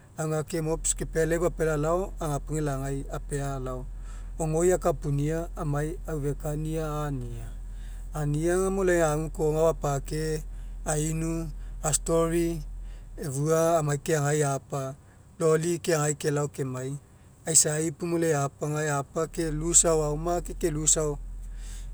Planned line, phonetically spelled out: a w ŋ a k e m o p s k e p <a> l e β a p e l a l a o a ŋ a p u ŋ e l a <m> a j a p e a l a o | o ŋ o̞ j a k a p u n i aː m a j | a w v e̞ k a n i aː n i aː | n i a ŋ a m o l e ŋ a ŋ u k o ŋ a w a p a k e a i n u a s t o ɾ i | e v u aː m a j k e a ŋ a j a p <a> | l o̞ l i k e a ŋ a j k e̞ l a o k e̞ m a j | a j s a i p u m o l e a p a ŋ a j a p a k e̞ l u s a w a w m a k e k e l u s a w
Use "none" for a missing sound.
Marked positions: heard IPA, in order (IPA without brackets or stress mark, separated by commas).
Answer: e, ŋ, a